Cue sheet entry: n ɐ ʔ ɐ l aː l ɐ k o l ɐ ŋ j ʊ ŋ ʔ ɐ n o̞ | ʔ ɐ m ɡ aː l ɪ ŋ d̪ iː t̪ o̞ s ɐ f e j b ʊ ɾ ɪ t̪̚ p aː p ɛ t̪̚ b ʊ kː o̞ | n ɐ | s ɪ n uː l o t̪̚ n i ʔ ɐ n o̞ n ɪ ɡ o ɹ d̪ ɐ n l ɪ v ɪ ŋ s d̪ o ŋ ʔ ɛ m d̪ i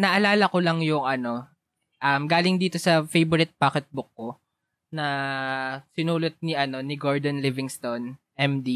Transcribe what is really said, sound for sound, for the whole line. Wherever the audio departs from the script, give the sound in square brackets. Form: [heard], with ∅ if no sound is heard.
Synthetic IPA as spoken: n ɐ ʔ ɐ l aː l ɐ k o l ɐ ŋ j ʊ ŋ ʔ ɐ n o̞ | ʔ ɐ m ɡ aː l ɪ ŋ d̪ iː t̪ o̞ s ɐ f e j b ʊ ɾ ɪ t̪̚ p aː [k] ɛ t̪̚ b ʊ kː o̞ | n ɐ | s ɪ n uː l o t̪̚ n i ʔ ɐ n o̞ n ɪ ɡ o ɹ d̪ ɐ n l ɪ v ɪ ŋ s [t̪] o [n] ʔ ɛ m d̪ i